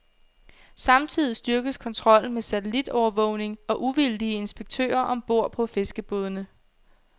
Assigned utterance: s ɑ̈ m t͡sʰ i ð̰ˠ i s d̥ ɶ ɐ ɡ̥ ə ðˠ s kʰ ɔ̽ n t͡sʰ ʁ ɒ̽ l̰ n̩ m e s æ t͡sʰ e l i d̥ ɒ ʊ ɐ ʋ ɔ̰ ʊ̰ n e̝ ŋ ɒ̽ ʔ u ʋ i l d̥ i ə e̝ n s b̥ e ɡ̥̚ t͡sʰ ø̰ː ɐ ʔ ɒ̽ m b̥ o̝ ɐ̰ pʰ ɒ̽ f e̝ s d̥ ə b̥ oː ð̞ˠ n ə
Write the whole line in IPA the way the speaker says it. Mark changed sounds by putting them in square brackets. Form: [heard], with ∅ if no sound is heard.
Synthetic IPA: s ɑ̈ m t͡sʰ i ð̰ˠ i s d̥ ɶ ɐ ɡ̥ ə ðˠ s kʰ [ɒ̽] n t͡sʰ ʁ ɒ̽ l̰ n̩ m e s æ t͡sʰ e l i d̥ ɒ ʊ ɐ ʋ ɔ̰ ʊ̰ n e̝ ŋ ɒ̽ ʔ u ʋ i l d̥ i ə e̝ n s b̥ e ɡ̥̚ t͡sʰ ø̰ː ɐ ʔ ɒ̽ m b̥ o̝ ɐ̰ pʰ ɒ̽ f e̝ s [ɡ̥] ə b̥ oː ð̞ˠ n ə